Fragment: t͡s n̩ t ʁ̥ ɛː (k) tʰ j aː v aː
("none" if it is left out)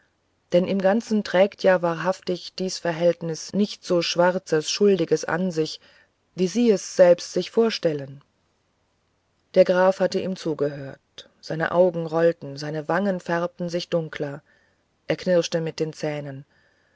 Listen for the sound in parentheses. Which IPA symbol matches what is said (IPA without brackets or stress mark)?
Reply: k